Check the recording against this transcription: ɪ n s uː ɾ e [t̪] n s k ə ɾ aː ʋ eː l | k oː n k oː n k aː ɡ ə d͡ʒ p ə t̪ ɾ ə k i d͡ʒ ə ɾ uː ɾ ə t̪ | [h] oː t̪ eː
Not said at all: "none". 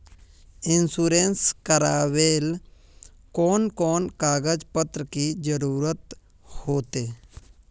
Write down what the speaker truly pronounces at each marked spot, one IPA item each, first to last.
none, h

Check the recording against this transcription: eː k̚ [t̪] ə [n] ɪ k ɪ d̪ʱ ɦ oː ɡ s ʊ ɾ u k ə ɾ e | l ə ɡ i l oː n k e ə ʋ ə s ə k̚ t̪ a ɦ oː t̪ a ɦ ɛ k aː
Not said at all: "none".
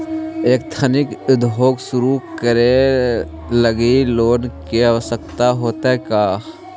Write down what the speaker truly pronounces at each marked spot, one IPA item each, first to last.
t̪ʰ, n

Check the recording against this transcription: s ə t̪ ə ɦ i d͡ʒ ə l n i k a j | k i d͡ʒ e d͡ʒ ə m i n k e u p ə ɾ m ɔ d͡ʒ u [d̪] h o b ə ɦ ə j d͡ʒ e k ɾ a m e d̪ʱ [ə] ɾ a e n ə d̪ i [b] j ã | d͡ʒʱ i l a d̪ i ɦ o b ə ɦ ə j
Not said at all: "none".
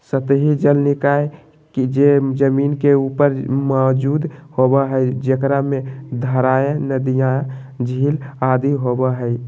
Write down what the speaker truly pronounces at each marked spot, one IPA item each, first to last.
d̪, ə, none

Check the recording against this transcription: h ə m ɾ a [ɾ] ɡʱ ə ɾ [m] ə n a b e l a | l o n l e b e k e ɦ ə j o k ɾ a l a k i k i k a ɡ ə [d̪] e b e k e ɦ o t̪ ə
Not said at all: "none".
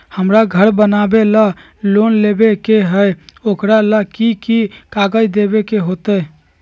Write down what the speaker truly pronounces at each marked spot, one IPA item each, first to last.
none, b, d̪

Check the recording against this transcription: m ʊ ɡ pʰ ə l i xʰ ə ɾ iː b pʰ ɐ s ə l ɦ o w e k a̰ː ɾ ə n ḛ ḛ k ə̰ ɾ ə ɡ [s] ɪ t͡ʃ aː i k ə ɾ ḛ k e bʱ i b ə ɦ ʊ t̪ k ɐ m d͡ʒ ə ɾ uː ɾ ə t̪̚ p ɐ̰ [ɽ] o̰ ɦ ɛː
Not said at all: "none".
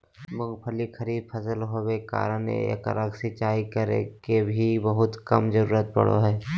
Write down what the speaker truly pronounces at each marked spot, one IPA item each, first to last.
s, ɽ

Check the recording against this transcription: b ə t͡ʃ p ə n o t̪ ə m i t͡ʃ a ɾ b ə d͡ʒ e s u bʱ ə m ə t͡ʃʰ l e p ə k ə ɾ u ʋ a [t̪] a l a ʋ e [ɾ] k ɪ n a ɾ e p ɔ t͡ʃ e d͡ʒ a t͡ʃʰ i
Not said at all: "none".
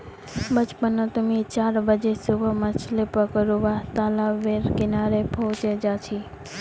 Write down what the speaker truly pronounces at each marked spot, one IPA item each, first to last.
t̪, ɾ

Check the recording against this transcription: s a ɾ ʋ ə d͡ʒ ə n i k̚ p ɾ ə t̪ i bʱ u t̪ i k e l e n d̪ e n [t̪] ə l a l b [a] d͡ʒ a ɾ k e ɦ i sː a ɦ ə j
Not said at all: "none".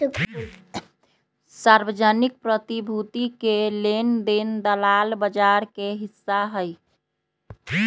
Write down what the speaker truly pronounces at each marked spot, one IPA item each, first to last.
d̪, ə

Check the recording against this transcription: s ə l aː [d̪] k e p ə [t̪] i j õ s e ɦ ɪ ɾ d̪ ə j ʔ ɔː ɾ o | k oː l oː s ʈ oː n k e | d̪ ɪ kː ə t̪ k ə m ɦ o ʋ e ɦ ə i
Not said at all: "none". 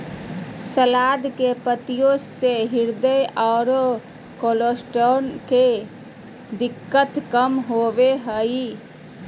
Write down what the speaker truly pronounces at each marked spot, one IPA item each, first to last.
d̪, t̪

